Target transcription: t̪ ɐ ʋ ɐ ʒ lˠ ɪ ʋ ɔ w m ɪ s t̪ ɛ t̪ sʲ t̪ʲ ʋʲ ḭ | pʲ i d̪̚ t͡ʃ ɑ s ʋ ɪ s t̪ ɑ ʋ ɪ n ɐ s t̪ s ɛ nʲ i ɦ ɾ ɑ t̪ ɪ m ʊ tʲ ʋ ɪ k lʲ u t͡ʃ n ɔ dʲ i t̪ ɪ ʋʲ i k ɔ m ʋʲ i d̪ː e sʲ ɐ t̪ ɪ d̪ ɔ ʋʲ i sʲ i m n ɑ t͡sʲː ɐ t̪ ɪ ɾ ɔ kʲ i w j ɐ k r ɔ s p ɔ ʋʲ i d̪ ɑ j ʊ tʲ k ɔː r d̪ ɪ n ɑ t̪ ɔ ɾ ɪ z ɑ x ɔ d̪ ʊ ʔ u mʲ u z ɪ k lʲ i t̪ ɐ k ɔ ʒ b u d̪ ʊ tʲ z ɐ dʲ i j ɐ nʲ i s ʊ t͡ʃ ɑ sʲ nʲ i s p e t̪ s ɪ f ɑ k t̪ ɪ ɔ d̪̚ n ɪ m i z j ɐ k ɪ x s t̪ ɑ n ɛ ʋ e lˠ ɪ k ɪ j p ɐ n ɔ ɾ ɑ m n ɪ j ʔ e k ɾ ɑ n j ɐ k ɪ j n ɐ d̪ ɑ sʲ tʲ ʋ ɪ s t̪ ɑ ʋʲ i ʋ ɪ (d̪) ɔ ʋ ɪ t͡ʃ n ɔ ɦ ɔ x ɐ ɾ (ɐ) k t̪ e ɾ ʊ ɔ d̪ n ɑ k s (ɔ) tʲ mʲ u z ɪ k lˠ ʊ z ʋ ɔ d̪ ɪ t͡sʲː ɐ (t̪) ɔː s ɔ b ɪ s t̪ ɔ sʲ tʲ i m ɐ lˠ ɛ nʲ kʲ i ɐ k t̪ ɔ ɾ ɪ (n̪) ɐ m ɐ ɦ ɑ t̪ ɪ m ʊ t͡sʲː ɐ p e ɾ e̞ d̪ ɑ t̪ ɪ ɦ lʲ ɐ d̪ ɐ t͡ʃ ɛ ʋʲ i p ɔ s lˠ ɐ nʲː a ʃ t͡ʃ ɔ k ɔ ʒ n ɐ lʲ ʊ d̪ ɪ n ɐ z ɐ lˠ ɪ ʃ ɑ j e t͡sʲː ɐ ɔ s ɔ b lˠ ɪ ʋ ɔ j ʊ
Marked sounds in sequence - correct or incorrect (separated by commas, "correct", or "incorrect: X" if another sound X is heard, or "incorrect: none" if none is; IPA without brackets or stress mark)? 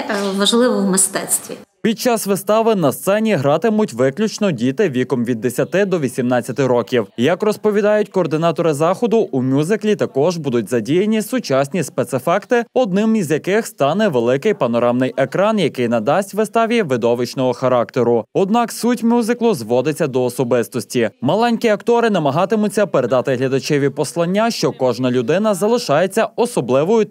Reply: correct, incorrect: ɑ, incorrect: u, incorrect: d̪, correct